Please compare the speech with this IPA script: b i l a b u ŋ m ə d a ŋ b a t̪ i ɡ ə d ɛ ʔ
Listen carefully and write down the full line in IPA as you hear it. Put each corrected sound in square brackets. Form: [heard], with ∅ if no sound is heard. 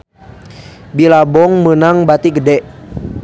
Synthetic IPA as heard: b i l a b [ɔ] ŋ m ə [n] a ŋ b a t̪ i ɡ ə d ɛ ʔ